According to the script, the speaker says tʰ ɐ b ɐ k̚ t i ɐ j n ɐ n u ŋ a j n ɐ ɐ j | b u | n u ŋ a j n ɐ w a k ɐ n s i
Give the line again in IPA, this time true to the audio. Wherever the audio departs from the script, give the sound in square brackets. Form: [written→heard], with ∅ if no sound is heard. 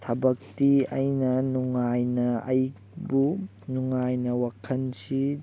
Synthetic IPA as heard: tʰ ɐ b ɐ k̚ t i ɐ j n ɐ n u ŋ a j n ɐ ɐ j | b u | n u ŋ a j n ɐ w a [k→kʰ] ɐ n s i